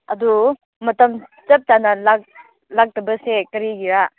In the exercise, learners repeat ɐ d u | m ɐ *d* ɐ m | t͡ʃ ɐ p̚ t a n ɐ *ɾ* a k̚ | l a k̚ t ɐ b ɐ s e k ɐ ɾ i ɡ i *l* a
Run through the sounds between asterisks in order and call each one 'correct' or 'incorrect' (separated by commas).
incorrect, incorrect, incorrect